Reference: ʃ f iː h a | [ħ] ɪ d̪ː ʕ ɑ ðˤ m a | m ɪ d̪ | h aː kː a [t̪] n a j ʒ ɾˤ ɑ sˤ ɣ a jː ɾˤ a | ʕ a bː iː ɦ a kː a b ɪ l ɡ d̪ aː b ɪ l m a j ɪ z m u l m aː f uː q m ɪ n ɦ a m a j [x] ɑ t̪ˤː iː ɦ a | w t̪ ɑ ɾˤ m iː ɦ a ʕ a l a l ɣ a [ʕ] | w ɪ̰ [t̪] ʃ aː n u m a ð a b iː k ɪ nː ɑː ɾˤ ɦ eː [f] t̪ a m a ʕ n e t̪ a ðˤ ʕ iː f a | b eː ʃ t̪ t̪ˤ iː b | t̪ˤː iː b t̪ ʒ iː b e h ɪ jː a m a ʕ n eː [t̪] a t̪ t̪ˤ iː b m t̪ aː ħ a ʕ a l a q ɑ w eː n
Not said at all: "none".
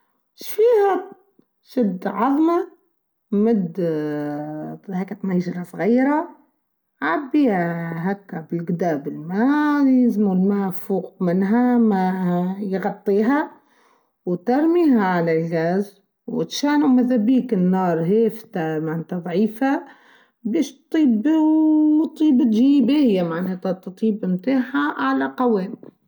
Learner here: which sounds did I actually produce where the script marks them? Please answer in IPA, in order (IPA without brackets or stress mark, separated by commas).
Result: ʃ, t̪, ɣ, z, t̪, f, t̪